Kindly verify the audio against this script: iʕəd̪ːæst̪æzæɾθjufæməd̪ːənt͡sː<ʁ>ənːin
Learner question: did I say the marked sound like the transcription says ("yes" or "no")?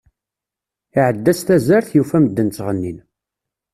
yes